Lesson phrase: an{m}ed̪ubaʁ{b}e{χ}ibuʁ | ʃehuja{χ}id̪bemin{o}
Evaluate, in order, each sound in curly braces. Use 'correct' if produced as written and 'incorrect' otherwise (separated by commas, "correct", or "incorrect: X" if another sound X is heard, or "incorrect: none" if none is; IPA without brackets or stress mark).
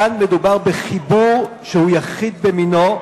correct, correct, correct, correct, correct